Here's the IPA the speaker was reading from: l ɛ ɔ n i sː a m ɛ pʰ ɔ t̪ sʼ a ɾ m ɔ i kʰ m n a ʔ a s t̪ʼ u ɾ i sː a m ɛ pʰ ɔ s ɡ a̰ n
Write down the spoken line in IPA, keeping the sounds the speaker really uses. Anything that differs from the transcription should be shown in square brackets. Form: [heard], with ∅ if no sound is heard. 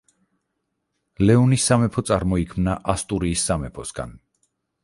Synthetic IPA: l ɛ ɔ n i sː a m ɛ pʰ ɔ t̪ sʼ a ɾ m ɔ i kʰ m n a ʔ a s t̪ʼ u ɾ [iː] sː a m ɛ pʰ ɔ s ɡ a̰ n